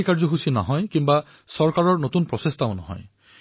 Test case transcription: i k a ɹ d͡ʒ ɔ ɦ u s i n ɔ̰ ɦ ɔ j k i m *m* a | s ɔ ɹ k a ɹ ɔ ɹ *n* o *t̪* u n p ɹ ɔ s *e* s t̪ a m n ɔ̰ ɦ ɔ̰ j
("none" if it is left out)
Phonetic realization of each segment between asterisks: b, n, t̪, e

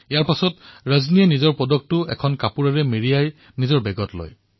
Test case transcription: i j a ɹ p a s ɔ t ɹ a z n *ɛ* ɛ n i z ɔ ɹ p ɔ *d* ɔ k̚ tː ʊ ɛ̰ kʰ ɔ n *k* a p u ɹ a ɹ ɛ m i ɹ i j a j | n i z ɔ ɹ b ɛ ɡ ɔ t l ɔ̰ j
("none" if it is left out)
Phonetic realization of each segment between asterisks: i, d, k

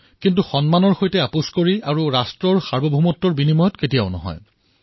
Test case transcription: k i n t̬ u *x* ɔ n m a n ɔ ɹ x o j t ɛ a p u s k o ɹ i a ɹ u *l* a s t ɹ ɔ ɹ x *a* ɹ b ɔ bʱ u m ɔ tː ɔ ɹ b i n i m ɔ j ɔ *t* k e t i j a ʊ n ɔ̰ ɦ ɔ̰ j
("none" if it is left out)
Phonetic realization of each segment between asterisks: x, ɹ, a, t

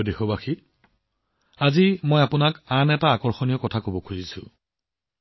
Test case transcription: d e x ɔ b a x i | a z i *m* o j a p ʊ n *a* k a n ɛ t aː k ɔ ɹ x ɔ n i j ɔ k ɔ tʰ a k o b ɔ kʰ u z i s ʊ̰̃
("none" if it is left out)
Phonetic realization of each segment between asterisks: m, a

